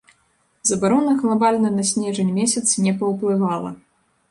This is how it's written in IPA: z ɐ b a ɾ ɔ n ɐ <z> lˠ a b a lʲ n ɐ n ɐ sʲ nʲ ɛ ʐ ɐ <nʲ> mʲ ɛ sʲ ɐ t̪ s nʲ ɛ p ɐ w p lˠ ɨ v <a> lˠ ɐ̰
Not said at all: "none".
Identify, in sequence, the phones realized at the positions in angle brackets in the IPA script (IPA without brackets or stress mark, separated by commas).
ɣ, nʲ, a